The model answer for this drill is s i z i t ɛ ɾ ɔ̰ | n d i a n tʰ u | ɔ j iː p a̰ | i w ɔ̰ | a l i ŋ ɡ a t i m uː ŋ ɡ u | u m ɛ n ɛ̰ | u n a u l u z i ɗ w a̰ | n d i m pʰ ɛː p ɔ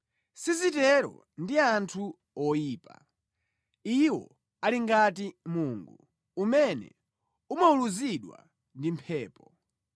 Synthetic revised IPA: s i z i t ɛ ɾ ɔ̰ | n d i a n tʰ u | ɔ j iː p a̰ | i w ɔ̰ | a l i ŋ ɡ a t i m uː ŋ ɡ u | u m ɛ n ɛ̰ | u m a u l u z i ɗ w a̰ | n d i m pʰ ɛː p ɔ